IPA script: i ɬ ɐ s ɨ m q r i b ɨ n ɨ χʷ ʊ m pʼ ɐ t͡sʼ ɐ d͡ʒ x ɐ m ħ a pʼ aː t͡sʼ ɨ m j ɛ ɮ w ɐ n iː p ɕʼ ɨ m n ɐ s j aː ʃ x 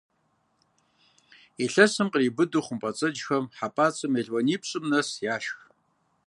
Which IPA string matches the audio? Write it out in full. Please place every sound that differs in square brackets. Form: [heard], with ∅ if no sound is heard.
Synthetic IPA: i ɬ ɐ s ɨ m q r i b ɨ [d] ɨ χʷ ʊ m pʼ ɐ t͡sʼ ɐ d͡ʒ x ɐ m ħ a pʼ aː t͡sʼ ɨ m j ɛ ɮ w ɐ n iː p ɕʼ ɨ m n ɐ s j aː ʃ x